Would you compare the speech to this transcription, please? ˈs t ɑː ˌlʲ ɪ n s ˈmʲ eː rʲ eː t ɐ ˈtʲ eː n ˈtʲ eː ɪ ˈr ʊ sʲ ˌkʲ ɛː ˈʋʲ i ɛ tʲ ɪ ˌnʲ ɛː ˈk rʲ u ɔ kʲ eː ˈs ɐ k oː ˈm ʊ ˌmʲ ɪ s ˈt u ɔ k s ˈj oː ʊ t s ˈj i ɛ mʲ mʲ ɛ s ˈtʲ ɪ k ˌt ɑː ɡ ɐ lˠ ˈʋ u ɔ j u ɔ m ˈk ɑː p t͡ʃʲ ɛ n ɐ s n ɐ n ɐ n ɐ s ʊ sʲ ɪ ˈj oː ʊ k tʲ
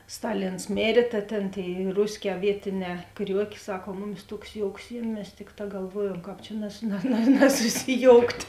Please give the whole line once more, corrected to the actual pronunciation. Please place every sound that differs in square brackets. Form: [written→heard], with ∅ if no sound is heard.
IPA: ˈs t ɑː ˌlʲ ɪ n s ˈmʲ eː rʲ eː t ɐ ˈtʲ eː n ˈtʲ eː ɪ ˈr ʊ sʲ ˌkʲ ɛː ˈʋʲ i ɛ tʲ ɪ ˌnʲ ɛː ˈk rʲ u ɔ kʲ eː ˈs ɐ k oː ˈm ʊ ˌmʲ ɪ s ˈt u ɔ k s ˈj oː ʊ [t→k] s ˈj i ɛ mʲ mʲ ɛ s ˈtʲ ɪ k ˌt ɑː ɡ ɐ lˠ ˈʋ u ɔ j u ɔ m ˈk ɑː p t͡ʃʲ ɛ n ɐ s n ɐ n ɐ n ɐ s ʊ sʲ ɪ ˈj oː ʊ k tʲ